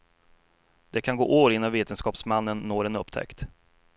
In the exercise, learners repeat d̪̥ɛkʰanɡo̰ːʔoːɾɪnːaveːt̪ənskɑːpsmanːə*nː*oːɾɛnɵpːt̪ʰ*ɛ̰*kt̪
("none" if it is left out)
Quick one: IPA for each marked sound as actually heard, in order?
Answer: nː, ɛ̰

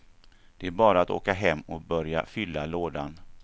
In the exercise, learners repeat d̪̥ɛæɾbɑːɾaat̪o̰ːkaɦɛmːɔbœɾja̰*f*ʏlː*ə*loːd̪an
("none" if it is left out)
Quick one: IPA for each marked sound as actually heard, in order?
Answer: f, a

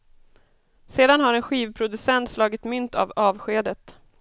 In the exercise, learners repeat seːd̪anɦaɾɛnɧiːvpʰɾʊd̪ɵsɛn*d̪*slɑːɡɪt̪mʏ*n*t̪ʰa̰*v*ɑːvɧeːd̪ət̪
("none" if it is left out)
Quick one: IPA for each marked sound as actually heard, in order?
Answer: t̪, n, v

